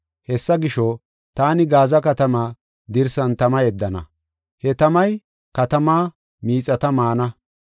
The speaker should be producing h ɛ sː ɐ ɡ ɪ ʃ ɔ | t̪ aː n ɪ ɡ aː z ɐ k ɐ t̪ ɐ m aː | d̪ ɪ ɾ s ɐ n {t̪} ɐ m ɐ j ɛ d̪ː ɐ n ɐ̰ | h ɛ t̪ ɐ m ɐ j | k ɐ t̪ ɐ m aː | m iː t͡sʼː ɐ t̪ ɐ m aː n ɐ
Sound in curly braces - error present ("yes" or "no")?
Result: no